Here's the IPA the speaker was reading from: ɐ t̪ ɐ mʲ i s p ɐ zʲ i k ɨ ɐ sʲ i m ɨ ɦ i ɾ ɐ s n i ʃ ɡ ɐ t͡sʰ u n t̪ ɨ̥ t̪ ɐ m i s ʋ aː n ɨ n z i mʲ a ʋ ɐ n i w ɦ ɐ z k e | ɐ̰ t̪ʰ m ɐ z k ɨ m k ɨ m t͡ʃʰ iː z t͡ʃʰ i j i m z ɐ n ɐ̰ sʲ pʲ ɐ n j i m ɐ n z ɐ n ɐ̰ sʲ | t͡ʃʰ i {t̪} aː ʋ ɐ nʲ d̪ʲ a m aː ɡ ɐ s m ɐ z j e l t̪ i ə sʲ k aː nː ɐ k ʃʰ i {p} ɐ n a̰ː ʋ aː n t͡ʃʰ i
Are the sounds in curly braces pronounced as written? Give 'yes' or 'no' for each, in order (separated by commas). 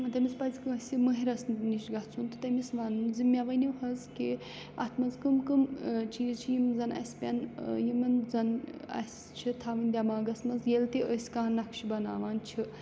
no, no